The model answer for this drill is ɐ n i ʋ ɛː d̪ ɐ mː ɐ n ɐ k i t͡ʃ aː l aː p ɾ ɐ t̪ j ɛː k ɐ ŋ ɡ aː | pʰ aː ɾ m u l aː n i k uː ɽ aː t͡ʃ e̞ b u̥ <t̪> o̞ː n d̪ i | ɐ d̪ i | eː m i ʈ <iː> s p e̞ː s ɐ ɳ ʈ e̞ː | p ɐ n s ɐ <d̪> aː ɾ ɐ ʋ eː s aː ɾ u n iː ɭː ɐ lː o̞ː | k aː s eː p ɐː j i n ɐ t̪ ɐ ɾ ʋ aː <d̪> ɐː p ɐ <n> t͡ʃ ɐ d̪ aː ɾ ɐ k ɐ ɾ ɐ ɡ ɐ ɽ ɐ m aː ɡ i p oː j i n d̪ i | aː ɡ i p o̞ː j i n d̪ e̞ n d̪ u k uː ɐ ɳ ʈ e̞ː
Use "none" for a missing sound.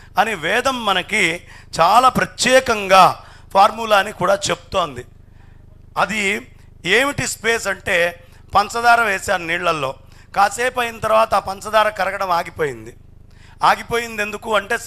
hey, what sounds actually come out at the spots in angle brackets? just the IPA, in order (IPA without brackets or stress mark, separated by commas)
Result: t̪, i, d̪, t̪, n